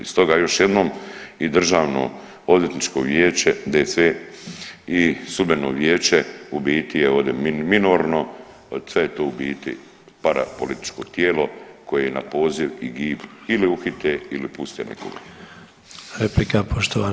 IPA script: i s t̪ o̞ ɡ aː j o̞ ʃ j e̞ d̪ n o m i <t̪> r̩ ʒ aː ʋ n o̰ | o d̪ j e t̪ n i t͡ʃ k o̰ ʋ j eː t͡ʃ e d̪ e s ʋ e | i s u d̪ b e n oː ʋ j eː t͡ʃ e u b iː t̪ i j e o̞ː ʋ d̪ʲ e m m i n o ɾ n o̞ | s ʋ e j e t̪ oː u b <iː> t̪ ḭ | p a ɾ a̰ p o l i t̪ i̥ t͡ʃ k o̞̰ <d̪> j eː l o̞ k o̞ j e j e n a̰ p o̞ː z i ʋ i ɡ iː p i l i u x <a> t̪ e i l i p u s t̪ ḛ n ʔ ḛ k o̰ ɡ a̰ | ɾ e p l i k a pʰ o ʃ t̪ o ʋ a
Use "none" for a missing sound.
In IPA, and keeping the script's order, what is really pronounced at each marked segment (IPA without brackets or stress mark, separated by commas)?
d̪, iː, t̪, i